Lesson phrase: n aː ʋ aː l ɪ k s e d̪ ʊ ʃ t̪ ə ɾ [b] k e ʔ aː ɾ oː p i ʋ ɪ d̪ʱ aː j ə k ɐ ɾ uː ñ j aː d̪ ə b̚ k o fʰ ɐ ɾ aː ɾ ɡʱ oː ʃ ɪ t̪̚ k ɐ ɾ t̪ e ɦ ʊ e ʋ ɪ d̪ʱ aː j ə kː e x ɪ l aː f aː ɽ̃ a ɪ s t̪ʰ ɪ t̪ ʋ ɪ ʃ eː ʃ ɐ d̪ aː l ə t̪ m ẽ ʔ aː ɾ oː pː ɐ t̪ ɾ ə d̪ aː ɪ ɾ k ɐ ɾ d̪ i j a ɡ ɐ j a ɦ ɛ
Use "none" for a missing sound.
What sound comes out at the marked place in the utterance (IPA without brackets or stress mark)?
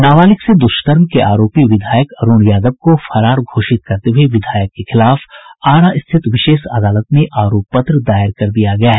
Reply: m